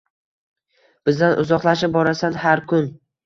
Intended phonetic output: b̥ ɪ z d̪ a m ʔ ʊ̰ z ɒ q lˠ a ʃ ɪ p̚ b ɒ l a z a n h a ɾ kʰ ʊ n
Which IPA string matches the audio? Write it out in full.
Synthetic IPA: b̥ ɪ z d̪ a n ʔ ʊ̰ z ɒ q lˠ a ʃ ɪ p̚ b ɒ ɾ a s a n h a ɾ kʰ ʊ n